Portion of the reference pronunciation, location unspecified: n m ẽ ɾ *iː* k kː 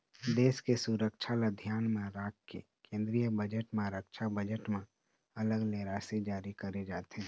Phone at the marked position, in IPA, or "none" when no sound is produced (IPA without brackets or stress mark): aː